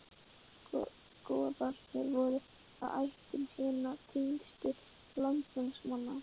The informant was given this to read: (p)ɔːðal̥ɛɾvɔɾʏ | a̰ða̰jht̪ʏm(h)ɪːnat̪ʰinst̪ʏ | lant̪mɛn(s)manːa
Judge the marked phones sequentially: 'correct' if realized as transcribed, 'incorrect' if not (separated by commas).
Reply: incorrect, correct, correct